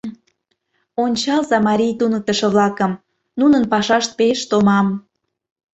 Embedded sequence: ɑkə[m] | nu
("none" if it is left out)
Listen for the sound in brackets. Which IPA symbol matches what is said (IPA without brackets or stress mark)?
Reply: m